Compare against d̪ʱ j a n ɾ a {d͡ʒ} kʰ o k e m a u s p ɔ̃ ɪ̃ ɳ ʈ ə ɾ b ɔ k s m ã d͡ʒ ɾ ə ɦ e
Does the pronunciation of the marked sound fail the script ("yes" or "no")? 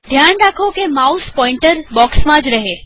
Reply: yes